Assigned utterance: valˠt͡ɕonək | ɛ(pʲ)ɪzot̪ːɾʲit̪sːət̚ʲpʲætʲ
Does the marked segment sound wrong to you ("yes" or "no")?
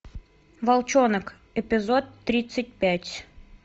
no